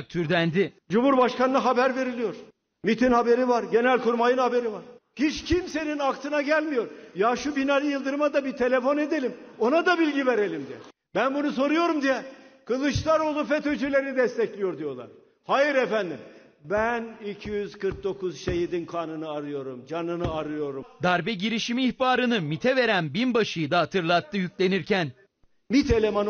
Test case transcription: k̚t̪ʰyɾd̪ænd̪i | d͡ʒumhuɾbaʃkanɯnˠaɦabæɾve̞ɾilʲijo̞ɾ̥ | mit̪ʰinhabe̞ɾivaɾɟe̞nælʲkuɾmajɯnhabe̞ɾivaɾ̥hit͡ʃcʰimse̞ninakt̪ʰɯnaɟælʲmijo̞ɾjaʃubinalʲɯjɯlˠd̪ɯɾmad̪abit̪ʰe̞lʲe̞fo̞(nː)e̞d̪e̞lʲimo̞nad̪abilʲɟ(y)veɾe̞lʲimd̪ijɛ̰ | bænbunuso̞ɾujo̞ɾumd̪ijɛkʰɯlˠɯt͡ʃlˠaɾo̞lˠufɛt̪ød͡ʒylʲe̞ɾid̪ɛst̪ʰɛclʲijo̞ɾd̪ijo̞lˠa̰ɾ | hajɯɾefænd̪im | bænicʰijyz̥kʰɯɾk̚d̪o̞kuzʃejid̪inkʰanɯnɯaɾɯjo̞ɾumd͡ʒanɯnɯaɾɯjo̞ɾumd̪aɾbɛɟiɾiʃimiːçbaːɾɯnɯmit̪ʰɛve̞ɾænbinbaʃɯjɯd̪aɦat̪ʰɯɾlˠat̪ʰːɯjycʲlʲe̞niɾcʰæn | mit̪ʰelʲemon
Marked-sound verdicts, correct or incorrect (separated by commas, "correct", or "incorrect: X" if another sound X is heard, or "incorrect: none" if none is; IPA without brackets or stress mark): incorrect: n, incorrect: i